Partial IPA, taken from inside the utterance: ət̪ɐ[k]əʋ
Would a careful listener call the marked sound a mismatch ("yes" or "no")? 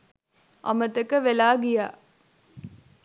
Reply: no